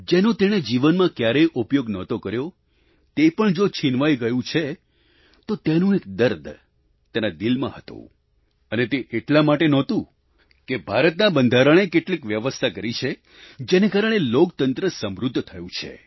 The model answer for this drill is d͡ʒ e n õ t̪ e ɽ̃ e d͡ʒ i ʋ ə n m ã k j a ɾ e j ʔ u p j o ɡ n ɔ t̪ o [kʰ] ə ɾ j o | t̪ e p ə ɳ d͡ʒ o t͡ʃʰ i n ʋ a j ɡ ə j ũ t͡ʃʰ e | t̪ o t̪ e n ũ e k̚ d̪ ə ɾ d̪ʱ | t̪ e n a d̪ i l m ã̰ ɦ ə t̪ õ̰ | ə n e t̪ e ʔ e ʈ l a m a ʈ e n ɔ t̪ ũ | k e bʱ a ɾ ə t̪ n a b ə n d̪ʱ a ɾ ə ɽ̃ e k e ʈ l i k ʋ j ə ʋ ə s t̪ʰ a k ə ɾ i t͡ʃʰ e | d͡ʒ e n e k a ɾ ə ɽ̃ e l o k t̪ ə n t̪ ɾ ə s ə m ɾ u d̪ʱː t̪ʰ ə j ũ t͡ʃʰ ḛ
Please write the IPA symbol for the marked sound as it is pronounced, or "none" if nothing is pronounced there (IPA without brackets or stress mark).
k